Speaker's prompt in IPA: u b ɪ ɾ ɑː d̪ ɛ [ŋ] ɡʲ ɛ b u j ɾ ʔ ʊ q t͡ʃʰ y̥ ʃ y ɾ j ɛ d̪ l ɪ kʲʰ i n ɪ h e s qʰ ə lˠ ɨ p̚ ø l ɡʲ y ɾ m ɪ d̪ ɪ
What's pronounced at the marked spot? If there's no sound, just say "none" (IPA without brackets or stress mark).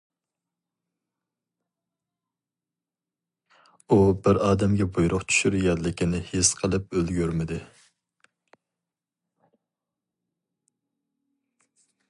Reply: m